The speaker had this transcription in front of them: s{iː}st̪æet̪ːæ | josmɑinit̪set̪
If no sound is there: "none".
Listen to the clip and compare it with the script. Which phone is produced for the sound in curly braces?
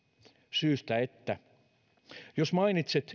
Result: yː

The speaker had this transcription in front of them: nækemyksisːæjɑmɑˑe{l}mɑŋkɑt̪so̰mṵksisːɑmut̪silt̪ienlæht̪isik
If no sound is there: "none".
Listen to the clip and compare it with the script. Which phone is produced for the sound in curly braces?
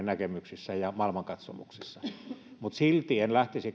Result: l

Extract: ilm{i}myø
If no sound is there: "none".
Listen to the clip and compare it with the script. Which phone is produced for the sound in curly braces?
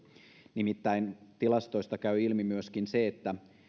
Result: i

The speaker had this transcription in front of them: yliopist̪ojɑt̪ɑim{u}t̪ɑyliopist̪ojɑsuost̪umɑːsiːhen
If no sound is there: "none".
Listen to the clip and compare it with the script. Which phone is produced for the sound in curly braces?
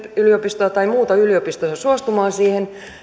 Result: uː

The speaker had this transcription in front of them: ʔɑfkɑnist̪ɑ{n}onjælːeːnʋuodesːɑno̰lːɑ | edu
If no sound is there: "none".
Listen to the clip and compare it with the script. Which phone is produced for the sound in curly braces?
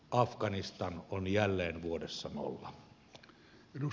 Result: n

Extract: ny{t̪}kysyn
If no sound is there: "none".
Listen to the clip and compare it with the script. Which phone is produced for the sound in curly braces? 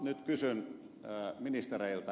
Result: t̪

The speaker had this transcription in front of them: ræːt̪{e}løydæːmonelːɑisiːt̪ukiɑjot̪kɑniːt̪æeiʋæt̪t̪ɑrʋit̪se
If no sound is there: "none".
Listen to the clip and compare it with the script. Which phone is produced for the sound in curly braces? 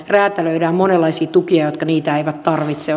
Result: æ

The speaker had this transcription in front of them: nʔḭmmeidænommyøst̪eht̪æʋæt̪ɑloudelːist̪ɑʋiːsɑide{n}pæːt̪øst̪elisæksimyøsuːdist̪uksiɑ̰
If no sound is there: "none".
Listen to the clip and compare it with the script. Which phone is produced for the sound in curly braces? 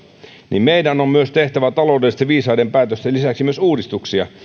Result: m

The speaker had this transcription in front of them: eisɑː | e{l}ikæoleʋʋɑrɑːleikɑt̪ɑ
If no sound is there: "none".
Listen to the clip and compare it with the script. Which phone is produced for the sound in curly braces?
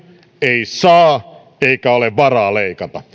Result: none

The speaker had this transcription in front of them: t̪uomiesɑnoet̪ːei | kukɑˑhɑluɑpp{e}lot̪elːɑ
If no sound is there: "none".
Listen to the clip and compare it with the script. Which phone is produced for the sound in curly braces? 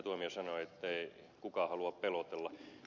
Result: e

